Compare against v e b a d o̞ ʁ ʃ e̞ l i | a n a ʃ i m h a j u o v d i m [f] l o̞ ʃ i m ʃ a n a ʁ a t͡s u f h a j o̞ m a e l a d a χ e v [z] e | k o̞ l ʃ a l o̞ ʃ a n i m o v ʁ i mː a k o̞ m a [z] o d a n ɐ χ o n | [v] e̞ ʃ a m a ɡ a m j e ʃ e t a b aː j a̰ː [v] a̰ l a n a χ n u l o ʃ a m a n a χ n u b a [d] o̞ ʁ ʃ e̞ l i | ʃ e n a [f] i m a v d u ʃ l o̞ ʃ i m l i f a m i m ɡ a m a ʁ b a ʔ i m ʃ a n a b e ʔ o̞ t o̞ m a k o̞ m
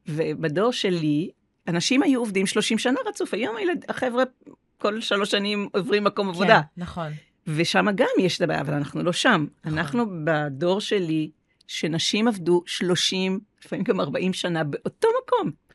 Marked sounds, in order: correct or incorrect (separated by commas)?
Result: incorrect, incorrect, incorrect, correct, correct, correct, incorrect